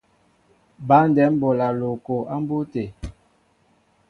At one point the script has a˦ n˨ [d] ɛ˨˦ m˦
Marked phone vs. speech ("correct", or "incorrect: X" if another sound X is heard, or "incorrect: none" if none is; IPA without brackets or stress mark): correct